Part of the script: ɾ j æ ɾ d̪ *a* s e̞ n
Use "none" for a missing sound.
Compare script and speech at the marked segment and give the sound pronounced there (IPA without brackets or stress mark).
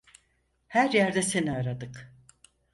ɛ